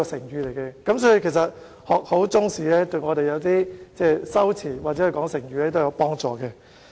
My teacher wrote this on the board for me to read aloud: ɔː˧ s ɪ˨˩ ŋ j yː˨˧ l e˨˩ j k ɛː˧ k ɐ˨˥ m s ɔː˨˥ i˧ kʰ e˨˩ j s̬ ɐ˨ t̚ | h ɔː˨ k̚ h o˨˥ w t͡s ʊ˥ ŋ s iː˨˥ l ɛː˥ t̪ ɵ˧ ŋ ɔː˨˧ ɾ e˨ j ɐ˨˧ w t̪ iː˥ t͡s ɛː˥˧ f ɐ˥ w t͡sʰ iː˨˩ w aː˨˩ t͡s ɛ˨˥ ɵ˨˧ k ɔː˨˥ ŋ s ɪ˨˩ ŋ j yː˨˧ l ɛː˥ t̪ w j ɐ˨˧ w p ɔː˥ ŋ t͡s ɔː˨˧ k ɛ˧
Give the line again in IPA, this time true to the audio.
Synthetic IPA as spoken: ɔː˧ s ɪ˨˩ ŋ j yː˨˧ l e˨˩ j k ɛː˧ k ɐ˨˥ m s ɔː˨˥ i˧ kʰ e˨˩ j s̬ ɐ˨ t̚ | h ɔː˨ k̚ h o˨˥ w t͡s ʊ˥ ŋ s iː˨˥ l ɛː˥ t̪ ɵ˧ ŋ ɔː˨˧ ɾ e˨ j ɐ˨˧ w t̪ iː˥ t͡s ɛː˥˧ s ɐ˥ w t͡sʰ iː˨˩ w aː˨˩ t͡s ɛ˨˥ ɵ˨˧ k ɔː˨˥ ŋ s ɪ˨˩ ŋ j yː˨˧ l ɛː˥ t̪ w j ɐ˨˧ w p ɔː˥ ŋ t͡s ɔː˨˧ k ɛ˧